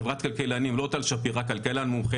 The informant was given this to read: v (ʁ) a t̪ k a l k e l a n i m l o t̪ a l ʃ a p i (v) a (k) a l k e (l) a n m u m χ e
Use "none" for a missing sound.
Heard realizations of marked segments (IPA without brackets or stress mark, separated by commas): ʁ, ʁ, k, l